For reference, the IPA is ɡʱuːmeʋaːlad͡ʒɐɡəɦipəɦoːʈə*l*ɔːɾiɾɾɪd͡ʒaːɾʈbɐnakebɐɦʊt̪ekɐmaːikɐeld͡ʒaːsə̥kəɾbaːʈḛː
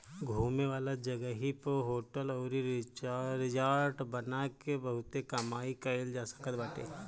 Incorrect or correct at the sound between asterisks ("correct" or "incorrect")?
correct